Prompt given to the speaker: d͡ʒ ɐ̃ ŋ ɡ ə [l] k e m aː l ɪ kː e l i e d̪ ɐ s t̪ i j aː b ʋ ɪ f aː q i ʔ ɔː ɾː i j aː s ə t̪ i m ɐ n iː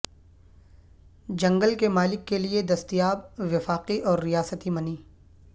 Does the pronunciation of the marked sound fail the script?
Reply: no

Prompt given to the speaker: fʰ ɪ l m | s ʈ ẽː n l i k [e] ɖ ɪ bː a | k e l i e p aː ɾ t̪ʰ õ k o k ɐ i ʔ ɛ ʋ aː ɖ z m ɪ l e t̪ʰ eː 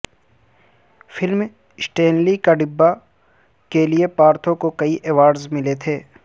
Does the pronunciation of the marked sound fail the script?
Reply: yes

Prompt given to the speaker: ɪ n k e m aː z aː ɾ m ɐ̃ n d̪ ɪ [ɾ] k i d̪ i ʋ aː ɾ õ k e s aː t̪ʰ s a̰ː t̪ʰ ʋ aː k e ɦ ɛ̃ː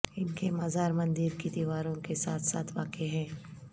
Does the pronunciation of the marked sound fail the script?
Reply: no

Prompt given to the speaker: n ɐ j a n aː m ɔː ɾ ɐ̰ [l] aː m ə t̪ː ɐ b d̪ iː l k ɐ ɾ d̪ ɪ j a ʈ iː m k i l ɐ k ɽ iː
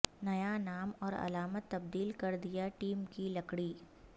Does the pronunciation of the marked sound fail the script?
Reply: no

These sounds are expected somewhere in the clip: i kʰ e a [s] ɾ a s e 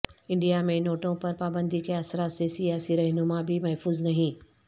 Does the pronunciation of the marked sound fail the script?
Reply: no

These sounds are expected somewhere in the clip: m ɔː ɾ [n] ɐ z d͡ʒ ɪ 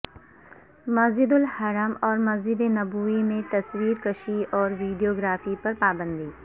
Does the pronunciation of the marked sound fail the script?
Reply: yes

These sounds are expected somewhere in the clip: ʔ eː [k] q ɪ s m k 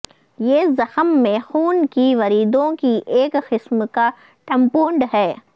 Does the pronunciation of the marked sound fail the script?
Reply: no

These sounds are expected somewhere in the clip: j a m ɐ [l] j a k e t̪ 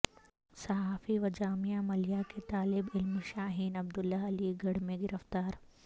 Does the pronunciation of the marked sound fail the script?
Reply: no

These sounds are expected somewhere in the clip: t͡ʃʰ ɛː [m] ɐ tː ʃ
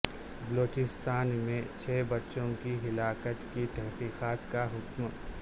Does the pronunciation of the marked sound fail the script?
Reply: yes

